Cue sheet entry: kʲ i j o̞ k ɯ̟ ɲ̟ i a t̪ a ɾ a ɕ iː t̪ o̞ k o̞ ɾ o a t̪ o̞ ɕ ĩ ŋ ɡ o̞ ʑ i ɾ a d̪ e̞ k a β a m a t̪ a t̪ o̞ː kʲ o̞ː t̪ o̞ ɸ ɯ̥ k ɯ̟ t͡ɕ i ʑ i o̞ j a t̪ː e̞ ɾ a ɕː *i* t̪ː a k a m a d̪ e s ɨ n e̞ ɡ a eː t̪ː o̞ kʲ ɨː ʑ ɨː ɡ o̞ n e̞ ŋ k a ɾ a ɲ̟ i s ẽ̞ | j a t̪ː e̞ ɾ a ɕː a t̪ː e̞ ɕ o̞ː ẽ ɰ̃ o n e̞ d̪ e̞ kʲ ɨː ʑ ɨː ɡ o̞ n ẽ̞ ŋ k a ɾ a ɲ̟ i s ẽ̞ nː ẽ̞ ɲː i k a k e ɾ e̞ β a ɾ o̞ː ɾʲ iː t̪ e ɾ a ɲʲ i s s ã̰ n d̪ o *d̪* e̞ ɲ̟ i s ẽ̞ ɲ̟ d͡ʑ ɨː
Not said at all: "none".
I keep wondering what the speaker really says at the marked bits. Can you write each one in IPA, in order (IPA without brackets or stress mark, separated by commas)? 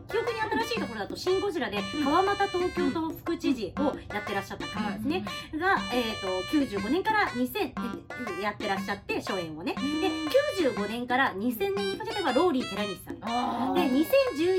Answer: a, d̪